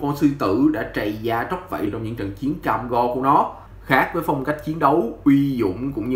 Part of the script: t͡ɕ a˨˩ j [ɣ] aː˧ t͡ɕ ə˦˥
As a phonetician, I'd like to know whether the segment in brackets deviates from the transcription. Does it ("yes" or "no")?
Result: yes